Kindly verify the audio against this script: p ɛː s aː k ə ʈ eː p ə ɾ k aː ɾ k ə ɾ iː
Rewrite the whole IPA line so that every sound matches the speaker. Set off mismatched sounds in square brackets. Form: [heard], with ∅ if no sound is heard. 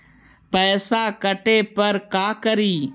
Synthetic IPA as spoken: p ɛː s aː k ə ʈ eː p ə ɾ k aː [∅] k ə ɾ iː